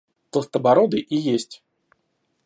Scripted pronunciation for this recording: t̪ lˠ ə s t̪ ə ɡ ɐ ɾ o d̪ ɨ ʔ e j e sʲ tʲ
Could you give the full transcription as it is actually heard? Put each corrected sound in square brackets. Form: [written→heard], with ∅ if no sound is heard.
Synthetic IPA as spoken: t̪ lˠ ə s t̪ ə [ɡ→b] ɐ ɾ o d̪ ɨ ʔ [e→i] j e sʲ tʲ